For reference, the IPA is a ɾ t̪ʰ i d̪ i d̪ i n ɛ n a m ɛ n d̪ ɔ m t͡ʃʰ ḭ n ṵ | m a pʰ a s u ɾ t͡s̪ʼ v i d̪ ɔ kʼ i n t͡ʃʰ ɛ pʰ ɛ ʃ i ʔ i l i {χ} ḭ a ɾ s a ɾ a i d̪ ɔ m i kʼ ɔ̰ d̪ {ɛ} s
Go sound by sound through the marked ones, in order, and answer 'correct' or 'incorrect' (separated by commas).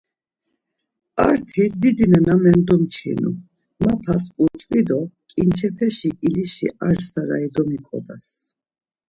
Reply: incorrect, incorrect